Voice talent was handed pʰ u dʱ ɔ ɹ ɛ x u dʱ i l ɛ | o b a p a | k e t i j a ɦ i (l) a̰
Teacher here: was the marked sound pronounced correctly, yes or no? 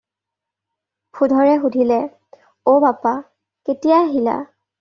yes